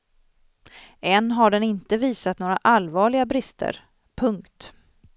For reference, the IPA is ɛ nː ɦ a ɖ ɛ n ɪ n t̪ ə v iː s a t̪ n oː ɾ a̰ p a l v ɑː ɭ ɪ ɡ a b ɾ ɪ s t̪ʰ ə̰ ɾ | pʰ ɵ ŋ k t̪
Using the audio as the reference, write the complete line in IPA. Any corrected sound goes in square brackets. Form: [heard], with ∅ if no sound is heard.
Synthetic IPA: ɛ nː ɦ a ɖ ɛ n ɪ n t̪ ə v iː s a t̪ n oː ɾ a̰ [ʔ] a l v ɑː ɭ ɪ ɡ a b ɾ ɪ s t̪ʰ ə̰ ɾ | pʰ ɵ ŋ k t̪